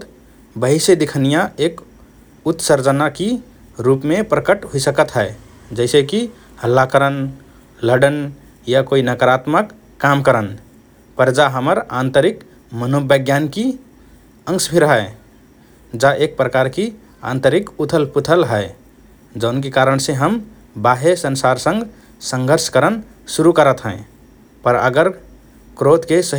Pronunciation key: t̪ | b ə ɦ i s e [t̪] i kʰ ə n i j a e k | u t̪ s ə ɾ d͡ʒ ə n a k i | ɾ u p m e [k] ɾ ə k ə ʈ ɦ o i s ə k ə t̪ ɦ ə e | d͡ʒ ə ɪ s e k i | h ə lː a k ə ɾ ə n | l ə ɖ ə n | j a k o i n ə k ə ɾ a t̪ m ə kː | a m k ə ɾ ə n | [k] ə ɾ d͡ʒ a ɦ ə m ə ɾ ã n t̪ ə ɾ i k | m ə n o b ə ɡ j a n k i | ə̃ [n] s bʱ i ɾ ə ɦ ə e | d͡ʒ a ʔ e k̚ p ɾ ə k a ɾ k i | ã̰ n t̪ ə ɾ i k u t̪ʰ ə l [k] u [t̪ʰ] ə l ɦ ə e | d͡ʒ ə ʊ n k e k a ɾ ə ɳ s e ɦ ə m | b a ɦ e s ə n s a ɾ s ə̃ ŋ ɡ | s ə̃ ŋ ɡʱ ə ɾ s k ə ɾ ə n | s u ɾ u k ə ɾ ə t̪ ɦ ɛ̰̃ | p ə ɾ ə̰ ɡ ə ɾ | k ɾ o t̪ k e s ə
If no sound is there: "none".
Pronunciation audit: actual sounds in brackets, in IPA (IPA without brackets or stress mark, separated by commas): d̪, p, p, ŋ, p, t̪ʰ